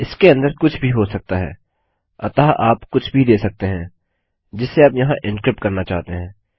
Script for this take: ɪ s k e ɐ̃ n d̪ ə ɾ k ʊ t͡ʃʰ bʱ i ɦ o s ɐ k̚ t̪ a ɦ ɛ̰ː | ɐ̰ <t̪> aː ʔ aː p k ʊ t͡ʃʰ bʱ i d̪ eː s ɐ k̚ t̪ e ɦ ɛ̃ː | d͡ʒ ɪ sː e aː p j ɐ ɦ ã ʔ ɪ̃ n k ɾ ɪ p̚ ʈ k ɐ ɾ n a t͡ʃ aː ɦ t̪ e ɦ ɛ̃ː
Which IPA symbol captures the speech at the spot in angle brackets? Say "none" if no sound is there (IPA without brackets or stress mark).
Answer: t̪